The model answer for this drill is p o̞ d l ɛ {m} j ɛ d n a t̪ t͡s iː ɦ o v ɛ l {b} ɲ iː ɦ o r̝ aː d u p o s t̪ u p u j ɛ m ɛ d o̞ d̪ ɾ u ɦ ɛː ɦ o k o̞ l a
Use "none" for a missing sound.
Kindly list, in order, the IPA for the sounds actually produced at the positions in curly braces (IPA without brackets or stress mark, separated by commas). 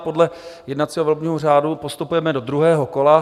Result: none, b